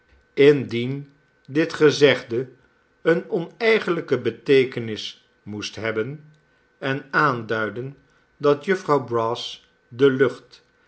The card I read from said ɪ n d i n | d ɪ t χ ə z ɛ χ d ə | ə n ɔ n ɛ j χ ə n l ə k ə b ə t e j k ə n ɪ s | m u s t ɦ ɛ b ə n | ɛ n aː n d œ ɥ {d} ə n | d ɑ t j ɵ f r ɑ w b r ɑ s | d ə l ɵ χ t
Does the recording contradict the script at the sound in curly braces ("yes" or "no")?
no